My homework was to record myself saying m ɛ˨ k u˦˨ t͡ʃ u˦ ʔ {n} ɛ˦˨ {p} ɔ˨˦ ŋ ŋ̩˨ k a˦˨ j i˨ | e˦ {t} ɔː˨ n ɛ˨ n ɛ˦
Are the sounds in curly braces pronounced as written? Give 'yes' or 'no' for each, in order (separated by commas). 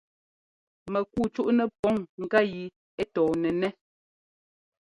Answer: yes, yes, yes